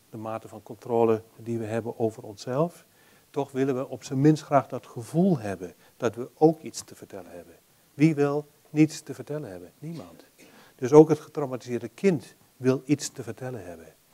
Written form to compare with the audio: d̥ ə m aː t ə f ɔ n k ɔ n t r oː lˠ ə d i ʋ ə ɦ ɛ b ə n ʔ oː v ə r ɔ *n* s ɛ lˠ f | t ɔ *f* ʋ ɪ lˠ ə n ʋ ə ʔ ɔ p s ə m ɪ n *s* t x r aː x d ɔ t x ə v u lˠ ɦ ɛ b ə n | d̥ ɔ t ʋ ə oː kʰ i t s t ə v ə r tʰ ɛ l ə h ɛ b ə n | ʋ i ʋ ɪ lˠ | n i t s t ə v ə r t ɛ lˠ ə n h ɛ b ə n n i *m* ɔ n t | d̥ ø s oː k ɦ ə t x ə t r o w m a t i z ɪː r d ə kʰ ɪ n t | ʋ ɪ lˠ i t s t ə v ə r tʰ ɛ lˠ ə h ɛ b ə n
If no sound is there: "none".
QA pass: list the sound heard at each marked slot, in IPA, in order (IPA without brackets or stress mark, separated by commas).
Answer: n, x, s, m